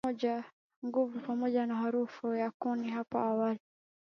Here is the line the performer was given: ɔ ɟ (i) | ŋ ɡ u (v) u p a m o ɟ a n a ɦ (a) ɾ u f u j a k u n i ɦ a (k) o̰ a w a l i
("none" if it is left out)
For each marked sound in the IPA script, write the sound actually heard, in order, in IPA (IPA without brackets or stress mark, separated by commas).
a, v, a, p